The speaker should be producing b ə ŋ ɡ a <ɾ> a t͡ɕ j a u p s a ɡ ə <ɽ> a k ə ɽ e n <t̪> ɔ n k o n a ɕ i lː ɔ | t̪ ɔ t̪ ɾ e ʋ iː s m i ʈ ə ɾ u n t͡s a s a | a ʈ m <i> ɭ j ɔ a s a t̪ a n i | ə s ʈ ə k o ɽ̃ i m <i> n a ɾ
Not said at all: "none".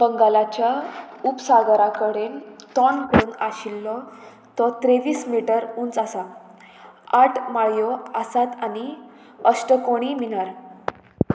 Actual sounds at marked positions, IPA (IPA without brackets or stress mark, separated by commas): l, ɾ, t̪, a, i